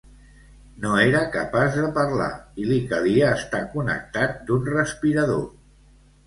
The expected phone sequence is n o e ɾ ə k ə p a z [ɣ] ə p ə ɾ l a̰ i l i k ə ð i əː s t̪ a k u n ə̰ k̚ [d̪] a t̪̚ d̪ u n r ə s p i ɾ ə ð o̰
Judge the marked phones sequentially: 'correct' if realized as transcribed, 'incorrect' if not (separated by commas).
incorrect, incorrect